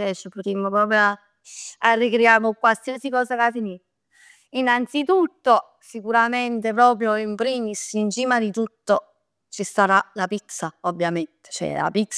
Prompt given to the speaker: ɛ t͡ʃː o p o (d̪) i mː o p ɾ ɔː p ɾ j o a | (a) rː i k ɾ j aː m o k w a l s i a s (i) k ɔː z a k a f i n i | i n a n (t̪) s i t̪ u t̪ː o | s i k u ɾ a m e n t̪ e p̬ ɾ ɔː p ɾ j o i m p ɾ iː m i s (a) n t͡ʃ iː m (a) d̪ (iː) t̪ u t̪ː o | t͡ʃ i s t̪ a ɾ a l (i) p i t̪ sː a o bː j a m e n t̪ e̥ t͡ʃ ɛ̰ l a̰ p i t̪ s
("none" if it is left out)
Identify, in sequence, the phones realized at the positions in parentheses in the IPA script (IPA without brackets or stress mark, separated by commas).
t̪, a, i, t̪, i, a, i, a